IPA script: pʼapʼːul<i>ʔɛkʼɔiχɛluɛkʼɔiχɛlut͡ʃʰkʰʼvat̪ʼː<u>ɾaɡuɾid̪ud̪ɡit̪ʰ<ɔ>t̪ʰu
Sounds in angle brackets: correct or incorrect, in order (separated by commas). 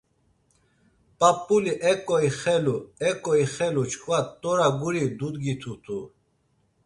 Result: correct, incorrect, incorrect